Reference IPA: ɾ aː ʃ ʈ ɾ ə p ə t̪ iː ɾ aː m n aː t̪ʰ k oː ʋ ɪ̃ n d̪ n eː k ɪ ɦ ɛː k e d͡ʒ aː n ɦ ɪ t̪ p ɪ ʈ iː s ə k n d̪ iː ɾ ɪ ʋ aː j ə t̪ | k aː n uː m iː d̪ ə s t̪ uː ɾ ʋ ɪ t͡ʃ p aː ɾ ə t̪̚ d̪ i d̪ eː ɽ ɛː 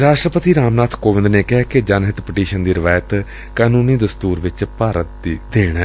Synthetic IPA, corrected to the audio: ɾ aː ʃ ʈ ɾ ə p ə t̪ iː ɾ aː m n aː t̪ʰ k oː ʋ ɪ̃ n d̪ n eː k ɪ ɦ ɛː k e d͡ʒ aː n ɦ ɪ t̪ p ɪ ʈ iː ʃ ə n d̪ iː ɾ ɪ ʋ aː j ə t̪ | k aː n uː n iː d̪ ə s t̪ uː ɾ ʋ ɪ t͡ʃ p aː ɾ ə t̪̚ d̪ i d̪ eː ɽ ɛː